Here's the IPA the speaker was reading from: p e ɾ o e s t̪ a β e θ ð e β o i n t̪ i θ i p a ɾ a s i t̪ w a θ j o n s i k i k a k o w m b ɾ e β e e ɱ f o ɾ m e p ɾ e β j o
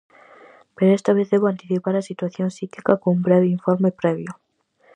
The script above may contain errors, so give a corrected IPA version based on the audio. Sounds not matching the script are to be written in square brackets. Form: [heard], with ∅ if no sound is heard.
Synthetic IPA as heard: p e ɾ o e s t̪ a β e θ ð e β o [a] n t̪ i θ i p a ɾ a s i t̪ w a θ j o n s i k i k a k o [u] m b ɾ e β e [i] ɱ f o ɾ m e p ɾ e β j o